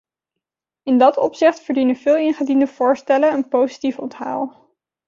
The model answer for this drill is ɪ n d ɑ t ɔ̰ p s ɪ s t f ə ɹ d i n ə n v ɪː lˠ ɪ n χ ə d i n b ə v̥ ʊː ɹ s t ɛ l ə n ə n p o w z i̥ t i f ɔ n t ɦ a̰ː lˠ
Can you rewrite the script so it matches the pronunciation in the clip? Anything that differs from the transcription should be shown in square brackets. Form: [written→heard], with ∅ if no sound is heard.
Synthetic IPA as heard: ɪ n d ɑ t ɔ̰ p s ɪ [s→χ] t f ə ɹ d i n ə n v ɪː lˠ ɪ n χ ə d i n [b→d] ə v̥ ʊː ɹ s t ɛ l ə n ə n p o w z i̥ t i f ɔ n t ɦ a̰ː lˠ